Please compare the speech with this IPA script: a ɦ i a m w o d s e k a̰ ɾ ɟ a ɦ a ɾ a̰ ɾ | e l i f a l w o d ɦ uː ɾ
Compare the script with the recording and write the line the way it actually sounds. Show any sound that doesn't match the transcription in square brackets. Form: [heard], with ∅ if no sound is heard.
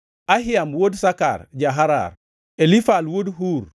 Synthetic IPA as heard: a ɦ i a m w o d s [a] k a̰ ɾ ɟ a ɦ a ɾ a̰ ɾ | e l i f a l w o d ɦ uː ɾ